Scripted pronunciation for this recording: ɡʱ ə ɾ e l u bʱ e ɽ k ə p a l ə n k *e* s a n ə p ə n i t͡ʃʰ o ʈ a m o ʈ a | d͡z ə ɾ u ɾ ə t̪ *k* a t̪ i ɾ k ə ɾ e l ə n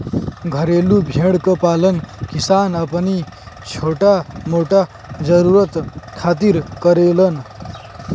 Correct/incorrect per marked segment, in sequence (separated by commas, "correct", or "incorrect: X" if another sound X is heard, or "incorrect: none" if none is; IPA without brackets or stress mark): incorrect: i, incorrect: kʰ